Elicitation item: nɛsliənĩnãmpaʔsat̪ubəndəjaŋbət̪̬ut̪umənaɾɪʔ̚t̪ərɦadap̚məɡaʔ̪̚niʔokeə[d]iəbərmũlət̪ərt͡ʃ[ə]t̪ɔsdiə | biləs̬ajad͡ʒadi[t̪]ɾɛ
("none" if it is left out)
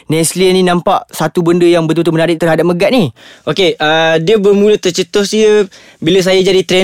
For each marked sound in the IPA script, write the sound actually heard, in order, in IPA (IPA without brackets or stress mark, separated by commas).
d, ə, t̪